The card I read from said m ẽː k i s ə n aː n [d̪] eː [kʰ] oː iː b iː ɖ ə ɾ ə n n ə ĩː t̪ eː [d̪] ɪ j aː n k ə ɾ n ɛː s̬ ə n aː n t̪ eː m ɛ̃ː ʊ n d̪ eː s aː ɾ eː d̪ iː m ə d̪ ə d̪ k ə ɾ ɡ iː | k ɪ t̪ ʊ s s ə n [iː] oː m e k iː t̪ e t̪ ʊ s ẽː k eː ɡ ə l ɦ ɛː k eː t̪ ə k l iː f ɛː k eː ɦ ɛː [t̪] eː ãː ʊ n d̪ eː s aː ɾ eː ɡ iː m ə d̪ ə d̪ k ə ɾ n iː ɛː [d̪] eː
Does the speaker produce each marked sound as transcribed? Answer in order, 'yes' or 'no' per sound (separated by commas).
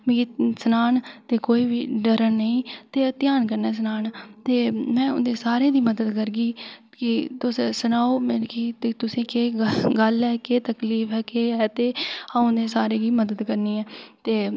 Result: no, no, no, no, yes, no